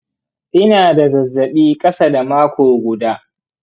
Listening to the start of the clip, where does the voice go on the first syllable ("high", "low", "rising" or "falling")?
high